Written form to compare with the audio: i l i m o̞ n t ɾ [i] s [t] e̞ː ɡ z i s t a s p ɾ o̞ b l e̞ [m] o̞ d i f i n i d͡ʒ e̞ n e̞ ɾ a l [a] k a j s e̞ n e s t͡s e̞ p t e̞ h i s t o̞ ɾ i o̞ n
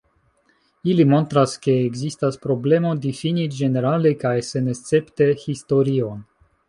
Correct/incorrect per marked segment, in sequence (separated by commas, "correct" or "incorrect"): incorrect, incorrect, correct, incorrect